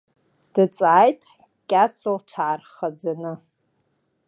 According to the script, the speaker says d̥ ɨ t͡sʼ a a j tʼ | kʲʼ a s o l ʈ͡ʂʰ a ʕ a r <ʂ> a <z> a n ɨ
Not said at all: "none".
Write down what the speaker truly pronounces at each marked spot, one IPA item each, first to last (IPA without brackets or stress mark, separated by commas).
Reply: χ, d͡z